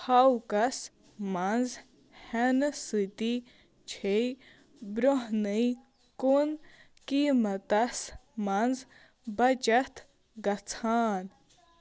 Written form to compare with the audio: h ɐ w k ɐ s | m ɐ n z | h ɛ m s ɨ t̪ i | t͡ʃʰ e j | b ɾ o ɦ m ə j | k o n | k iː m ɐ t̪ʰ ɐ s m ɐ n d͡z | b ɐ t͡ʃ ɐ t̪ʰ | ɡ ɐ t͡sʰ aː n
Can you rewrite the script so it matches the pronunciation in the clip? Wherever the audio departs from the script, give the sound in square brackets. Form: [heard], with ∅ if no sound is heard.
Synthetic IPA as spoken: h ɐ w k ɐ s | m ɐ n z | h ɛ [n] s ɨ t̪ i | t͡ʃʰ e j | b ɾ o ɦ [n] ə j | k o n | k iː m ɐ [t̪] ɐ s m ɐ n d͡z | b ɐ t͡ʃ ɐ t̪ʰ | ɡ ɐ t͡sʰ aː n